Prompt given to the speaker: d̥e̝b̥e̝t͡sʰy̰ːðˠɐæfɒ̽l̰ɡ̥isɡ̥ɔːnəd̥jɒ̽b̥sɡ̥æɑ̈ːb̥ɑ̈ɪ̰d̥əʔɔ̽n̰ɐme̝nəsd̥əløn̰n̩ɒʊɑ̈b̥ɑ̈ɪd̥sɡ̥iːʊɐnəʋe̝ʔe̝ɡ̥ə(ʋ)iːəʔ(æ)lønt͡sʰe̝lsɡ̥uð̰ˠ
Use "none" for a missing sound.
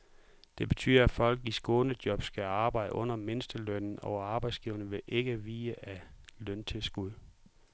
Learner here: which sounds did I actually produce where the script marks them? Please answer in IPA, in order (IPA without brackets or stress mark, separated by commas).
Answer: ʋ, æ